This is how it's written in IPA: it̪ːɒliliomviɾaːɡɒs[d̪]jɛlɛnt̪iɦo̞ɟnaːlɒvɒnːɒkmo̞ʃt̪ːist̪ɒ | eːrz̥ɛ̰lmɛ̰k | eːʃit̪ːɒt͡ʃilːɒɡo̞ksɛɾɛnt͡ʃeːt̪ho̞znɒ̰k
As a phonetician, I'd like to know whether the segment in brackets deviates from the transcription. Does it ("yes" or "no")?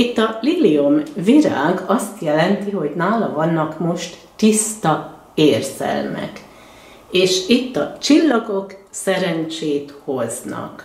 yes